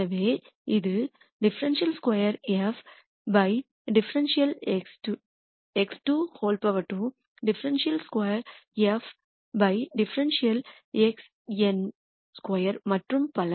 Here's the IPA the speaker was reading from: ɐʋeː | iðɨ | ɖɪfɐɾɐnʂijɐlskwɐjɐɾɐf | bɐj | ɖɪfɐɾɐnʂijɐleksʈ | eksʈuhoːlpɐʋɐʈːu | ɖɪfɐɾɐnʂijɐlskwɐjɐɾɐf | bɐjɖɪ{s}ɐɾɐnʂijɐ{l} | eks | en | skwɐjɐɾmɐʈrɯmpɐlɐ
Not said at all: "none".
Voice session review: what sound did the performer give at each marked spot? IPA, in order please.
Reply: f, l

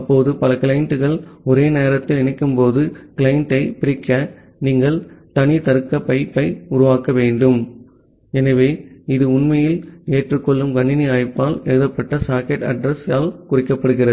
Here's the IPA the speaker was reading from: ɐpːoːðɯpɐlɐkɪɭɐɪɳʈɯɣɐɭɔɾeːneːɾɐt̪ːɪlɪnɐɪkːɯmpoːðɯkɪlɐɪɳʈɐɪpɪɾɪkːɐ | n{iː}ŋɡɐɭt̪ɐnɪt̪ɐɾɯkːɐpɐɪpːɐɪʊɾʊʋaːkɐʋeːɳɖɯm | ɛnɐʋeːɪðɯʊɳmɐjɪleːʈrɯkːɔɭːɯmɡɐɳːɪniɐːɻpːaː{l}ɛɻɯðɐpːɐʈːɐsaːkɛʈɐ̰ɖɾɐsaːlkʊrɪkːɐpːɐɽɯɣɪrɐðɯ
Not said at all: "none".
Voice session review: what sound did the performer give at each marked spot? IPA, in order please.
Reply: iː, l

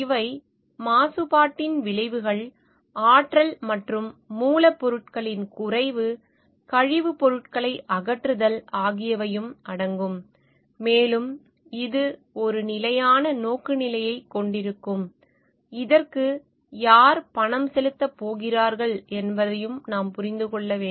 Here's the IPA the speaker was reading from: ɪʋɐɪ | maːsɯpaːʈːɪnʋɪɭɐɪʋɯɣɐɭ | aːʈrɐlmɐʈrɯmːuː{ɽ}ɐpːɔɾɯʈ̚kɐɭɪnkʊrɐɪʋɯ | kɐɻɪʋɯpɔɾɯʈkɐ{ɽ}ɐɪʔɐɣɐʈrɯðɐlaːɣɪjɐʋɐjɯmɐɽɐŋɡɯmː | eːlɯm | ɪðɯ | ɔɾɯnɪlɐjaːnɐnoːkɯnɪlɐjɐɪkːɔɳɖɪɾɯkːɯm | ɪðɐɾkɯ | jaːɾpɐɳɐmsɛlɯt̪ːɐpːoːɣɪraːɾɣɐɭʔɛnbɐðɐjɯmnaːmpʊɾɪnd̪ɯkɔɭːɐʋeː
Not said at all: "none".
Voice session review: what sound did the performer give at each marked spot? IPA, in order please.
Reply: l, ɭ

